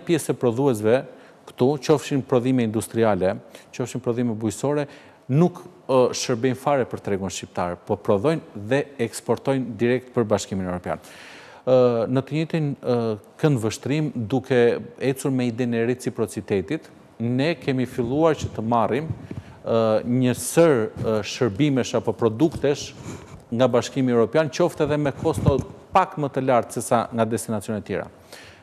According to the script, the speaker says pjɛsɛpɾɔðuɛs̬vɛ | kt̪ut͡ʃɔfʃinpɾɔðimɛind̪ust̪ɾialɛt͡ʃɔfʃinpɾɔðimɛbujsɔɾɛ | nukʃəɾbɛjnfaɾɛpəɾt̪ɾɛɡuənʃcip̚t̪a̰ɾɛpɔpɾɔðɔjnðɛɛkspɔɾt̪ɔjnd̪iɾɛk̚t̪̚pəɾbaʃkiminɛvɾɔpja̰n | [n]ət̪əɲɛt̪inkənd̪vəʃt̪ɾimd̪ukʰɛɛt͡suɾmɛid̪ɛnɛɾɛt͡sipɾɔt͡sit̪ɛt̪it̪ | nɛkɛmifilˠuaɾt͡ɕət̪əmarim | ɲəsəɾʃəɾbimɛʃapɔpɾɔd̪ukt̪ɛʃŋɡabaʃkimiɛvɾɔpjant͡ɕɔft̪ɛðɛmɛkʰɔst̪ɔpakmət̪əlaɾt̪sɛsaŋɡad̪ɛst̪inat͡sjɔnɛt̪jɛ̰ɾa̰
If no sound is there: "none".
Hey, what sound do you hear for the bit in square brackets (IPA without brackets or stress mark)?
n